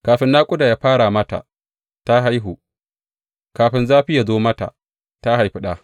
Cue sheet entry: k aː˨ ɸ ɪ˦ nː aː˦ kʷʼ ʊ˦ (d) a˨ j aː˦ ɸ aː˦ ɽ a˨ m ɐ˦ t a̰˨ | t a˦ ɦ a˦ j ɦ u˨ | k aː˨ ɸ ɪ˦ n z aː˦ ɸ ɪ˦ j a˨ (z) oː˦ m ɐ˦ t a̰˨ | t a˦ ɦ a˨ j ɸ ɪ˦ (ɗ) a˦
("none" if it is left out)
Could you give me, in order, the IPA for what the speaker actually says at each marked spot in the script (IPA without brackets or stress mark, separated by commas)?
d, z, ɗ